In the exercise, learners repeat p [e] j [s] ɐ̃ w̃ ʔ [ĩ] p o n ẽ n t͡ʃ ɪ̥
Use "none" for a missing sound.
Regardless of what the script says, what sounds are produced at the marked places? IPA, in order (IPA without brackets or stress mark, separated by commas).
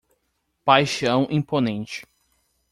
a, ʃ, ĩ